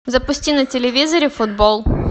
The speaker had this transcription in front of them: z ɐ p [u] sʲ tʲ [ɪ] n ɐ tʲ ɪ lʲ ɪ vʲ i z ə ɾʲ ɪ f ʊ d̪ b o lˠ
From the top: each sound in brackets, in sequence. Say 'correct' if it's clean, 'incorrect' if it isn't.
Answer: incorrect: ʊ, incorrect: i

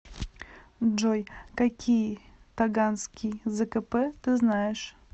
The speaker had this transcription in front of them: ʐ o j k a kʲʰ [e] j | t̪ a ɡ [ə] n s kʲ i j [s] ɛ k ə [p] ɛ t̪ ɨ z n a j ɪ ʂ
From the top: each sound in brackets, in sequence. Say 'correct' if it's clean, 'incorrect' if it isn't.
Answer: incorrect: i, incorrect: a, incorrect: z, correct

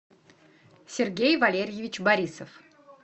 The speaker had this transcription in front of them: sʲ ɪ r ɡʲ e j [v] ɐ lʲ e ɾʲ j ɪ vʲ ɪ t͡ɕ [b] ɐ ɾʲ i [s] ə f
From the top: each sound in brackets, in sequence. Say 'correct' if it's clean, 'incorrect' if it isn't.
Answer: correct, correct, correct

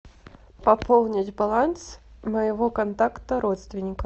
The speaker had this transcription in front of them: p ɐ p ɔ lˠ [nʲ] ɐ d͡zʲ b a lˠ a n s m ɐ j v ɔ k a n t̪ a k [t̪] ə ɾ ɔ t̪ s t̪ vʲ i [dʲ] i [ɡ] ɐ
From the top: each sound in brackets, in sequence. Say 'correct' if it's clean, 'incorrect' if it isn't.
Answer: correct, correct, incorrect: nʲ, incorrect: k

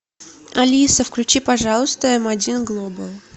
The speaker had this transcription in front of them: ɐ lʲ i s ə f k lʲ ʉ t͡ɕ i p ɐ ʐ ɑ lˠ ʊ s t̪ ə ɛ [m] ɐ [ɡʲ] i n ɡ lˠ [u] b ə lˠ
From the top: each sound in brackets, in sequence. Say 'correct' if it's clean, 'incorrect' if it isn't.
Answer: correct, incorrect: dʲ, incorrect: o

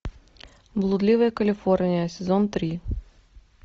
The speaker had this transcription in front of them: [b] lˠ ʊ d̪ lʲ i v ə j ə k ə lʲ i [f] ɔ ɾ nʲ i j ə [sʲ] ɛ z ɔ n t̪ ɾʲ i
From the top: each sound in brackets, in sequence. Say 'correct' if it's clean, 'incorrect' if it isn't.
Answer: correct, correct, correct

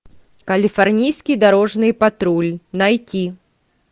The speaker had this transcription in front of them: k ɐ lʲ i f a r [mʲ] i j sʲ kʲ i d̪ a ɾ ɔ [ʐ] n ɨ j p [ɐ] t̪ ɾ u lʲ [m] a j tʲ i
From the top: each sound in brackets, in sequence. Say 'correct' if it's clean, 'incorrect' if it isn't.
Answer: incorrect: nʲ, correct, incorrect: a, incorrect: n

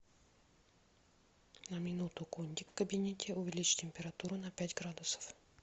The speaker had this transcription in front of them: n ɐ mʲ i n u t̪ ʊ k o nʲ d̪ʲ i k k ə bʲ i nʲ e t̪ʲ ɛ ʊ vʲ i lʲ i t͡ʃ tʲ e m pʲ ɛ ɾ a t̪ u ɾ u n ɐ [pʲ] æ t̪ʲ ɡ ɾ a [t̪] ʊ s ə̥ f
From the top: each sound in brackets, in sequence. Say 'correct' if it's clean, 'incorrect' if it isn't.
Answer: correct, incorrect: d̪

